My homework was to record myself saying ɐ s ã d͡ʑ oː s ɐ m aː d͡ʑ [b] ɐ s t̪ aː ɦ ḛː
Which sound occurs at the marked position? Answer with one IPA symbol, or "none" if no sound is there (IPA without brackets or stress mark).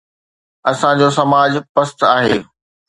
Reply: p